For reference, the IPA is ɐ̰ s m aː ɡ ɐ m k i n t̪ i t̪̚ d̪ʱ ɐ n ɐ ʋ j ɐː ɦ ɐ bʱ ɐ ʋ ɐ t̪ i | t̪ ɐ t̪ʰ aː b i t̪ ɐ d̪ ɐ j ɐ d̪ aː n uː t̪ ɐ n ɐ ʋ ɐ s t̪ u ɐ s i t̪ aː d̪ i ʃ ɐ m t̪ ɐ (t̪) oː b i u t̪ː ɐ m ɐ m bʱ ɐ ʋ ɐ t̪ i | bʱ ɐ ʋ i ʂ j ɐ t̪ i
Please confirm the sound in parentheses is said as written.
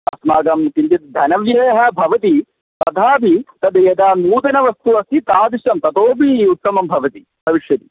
yes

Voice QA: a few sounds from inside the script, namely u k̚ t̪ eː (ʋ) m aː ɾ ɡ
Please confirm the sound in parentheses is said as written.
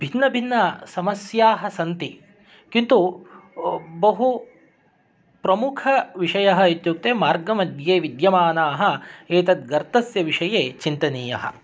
no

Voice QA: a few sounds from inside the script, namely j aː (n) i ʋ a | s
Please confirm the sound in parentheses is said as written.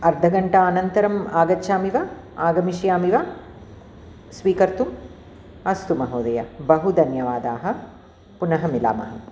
no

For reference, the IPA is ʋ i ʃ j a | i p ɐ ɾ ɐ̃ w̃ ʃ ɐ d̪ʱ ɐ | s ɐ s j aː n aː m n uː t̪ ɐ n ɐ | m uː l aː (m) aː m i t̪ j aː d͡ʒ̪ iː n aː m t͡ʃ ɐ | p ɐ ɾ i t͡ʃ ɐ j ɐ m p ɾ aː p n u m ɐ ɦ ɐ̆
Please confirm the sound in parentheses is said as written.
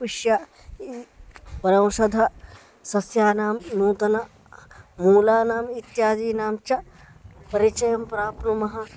no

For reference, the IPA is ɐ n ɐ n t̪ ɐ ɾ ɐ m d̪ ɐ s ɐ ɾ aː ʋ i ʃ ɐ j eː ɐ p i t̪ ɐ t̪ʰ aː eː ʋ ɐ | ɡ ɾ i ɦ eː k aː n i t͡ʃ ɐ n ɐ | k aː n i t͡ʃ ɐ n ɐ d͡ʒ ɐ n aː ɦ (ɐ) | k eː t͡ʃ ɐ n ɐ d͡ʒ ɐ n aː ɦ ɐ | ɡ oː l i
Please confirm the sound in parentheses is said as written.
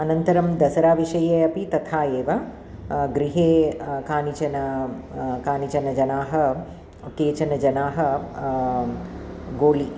yes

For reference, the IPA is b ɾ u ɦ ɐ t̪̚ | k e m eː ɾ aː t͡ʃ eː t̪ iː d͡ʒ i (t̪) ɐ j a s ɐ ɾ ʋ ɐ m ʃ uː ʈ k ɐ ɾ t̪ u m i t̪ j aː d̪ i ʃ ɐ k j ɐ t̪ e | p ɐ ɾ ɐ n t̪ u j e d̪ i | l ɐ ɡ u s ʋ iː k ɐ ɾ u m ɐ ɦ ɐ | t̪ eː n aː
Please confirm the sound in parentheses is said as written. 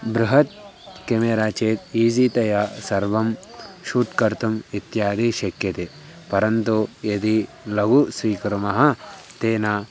yes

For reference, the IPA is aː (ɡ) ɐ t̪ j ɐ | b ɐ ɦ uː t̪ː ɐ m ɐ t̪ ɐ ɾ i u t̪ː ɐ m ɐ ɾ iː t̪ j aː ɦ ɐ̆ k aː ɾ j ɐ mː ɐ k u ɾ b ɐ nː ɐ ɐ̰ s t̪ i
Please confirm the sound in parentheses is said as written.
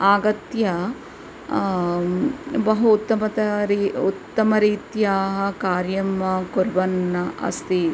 yes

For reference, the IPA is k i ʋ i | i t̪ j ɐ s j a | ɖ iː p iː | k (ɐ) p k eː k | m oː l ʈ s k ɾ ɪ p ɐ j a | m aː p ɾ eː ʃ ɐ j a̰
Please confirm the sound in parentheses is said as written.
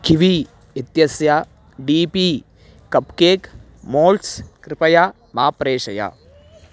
yes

